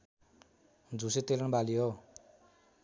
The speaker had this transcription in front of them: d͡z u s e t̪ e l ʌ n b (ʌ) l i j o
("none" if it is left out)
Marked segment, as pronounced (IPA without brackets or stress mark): a